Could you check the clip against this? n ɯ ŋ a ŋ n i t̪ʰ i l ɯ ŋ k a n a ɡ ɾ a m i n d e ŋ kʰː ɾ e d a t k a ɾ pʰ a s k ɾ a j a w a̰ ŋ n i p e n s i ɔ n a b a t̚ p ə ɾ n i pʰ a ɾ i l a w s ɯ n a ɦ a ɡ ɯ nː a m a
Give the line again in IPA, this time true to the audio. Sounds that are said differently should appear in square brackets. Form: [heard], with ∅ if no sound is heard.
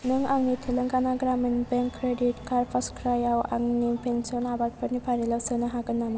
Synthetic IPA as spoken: n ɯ ŋ a ŋ n i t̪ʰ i l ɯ ŋ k a n a ɡ ɾ a m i n [b] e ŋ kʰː ɾ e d [i] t k a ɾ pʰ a s k ɾ a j a w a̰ ŋ n i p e n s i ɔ n a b a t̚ p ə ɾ n i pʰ a ɾ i l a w s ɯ n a ɦ a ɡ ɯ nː a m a